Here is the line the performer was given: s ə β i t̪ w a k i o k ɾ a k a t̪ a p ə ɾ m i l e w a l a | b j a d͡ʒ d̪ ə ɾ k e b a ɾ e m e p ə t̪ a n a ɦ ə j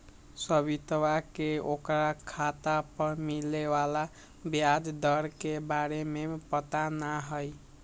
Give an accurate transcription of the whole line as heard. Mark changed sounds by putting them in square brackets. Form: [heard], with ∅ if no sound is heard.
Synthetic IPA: s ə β i t̪ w a k [e] o k ɾ a [kʰ] a t̪ a p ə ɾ m i l e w a l a | b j a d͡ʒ d̪ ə ɾ k e b a ɾ e m e p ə t̪ a n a ɦ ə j